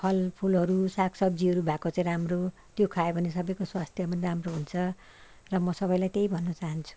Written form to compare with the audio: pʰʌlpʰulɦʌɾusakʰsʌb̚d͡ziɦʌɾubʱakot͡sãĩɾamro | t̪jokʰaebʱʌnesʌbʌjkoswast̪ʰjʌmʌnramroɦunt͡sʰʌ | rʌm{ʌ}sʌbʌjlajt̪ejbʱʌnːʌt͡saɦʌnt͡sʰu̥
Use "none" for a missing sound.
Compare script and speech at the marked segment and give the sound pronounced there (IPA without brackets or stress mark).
ʌ